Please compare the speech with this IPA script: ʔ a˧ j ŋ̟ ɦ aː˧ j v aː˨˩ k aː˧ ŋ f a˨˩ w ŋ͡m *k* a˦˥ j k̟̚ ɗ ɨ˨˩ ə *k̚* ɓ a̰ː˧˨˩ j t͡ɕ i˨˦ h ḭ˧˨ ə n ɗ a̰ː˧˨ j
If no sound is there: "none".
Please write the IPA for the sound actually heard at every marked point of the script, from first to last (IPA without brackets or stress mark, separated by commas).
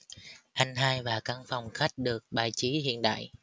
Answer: x, k̚